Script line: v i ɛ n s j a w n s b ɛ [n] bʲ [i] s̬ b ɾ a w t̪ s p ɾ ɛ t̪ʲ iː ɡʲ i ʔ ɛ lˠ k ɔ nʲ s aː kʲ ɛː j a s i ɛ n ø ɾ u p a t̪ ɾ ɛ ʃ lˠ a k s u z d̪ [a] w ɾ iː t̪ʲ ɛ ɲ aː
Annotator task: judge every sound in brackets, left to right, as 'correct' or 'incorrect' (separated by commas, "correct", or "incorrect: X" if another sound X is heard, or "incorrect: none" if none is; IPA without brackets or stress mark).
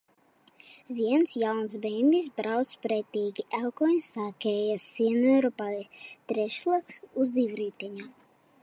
incorrect: m, correct, incorrect: i